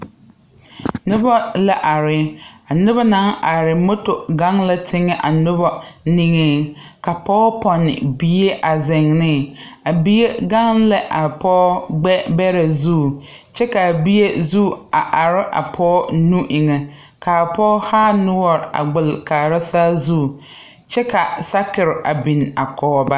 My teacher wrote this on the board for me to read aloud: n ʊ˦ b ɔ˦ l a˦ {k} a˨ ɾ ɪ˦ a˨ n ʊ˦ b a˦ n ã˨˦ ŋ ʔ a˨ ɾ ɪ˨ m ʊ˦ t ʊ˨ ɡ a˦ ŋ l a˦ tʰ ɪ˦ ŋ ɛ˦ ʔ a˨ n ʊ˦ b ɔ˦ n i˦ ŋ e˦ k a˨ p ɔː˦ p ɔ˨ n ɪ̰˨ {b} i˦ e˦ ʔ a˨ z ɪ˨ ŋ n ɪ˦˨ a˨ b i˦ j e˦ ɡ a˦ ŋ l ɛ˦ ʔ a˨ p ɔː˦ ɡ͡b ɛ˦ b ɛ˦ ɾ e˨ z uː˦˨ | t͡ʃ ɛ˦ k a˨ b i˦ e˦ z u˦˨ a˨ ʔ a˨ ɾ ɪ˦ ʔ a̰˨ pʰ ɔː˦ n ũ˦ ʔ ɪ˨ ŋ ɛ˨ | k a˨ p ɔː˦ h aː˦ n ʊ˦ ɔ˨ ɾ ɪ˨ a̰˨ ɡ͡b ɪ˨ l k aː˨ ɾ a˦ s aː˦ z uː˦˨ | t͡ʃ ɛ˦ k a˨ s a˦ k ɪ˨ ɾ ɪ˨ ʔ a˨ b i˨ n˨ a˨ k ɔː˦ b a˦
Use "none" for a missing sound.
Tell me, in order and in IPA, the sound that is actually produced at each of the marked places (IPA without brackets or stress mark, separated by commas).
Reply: ʔ, b